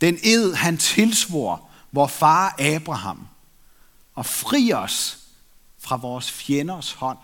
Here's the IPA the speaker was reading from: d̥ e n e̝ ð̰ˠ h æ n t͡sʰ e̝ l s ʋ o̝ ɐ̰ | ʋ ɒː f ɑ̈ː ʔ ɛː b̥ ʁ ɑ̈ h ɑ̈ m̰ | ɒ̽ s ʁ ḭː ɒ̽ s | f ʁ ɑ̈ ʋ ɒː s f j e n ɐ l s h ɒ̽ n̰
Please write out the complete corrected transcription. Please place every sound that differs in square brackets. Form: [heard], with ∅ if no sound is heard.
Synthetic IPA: d̥ e n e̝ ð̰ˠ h æ n t͡sʰ e̝ l s ʋ o̝ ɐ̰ | ʋ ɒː f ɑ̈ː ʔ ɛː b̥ ʁ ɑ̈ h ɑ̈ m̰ | ɒ̽ [f] ʁ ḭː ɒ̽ s | f ʁ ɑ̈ ʋ ɒː s f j e n ɐ [∅] s h ɒ̽ n̰